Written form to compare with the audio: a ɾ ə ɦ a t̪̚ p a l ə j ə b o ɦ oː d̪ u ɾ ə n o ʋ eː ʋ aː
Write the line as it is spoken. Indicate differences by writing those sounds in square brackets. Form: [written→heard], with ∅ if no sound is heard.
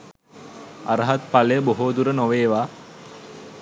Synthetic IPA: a ɾ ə ɦ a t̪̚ p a l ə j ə b o ɦ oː d̪ u ɾ ə n o ʋ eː ʋ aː